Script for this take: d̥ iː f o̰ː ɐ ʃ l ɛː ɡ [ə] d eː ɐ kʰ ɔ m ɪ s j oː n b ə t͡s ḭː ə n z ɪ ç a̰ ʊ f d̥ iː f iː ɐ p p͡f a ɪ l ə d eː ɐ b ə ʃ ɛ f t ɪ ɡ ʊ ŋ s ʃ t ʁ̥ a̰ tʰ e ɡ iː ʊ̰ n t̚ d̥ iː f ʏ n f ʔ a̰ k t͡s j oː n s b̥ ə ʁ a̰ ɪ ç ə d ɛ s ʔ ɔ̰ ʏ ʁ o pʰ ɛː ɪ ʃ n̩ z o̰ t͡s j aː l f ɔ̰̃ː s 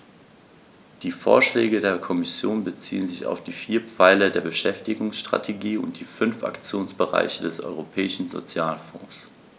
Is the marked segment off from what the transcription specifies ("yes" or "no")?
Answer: no